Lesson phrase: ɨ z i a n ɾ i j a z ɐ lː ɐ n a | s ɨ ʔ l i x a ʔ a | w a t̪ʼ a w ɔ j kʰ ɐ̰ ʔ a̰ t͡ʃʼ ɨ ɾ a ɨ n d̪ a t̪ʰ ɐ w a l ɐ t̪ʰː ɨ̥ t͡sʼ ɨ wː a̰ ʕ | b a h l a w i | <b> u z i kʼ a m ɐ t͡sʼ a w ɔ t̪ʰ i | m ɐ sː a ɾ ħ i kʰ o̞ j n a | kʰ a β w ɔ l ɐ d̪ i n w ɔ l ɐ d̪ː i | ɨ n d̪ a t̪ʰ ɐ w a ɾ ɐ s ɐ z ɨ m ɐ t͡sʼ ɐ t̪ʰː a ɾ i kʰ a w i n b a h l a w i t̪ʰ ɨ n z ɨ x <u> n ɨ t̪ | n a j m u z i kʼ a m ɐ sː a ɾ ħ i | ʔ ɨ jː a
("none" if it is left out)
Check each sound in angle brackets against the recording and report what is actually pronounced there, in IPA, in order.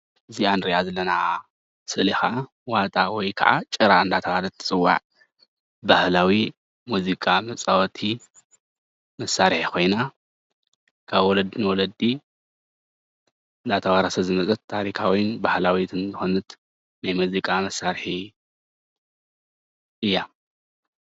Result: m, o

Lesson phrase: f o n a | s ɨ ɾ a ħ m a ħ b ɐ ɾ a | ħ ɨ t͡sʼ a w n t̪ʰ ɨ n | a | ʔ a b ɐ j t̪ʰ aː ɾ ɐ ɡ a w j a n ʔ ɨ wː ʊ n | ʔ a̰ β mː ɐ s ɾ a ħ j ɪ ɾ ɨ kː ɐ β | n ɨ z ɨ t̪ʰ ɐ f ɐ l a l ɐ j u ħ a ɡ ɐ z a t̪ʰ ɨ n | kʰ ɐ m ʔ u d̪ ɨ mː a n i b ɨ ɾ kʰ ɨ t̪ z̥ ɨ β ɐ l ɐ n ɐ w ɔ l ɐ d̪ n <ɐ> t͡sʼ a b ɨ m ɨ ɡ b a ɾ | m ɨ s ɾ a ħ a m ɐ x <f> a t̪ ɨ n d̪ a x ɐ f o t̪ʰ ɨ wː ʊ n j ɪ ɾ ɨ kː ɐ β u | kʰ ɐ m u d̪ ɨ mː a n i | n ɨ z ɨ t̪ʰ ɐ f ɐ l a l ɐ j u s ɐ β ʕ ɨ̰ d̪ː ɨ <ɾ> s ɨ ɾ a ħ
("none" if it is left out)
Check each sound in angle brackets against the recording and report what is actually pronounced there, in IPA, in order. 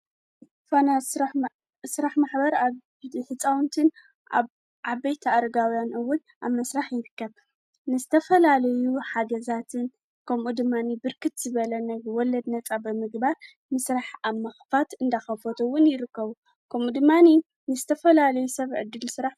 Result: ɐ, f, l

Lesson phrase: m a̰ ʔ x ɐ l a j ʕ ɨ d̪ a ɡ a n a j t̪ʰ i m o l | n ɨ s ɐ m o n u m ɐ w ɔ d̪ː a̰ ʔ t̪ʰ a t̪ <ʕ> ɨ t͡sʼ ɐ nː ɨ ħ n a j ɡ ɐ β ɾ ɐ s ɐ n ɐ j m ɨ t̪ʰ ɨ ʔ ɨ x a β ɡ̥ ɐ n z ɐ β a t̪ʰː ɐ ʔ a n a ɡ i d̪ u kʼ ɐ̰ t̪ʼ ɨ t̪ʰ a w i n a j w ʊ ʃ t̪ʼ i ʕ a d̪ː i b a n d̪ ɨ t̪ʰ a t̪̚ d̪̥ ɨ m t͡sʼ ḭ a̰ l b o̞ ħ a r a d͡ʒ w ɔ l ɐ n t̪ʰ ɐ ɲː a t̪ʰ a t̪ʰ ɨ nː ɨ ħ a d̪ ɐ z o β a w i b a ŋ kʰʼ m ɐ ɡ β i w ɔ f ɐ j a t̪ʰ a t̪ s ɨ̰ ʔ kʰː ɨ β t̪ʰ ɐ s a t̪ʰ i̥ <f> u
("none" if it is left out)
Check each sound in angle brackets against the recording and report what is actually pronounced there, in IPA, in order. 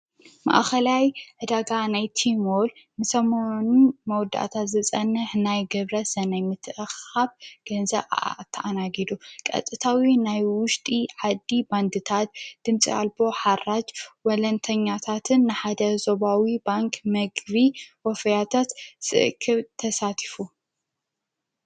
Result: z, f

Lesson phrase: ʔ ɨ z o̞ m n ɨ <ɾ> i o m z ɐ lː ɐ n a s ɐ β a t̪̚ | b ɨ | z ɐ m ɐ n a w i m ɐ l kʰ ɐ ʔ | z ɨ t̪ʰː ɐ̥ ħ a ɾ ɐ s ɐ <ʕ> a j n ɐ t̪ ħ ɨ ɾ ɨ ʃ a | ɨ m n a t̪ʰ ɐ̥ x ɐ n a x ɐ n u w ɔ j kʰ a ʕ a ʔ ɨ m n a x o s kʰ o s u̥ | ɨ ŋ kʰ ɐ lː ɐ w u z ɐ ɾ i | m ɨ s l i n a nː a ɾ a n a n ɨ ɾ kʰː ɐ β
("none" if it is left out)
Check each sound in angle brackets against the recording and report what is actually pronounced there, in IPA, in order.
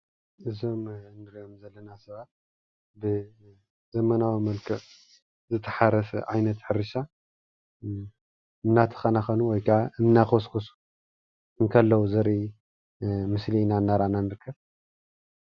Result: ɾ, ʕ

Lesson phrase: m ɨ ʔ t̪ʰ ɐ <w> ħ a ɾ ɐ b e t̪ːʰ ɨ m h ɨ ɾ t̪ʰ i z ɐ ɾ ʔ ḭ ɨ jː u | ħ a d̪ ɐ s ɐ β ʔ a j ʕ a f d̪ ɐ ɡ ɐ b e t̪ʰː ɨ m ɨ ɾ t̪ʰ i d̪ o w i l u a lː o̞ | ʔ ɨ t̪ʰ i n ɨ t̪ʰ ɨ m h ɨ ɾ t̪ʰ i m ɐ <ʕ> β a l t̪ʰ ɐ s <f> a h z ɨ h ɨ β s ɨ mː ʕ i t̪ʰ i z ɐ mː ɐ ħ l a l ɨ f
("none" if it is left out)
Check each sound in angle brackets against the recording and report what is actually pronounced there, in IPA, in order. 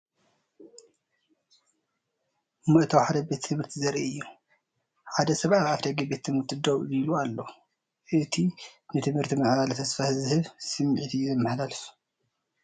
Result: w, ʕ, f

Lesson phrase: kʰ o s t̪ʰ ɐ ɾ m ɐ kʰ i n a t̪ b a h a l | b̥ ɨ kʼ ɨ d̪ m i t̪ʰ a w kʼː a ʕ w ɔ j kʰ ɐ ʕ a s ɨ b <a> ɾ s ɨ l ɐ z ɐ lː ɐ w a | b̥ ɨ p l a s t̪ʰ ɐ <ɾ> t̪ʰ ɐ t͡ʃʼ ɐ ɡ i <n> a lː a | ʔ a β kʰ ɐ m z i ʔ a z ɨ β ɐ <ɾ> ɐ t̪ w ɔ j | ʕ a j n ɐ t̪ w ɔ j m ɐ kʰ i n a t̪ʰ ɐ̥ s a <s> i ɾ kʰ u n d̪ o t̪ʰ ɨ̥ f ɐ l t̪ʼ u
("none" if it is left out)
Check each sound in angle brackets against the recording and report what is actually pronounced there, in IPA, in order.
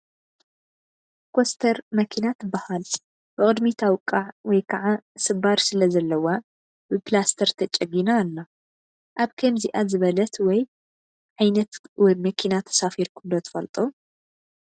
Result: a, ɾ, n, l, f

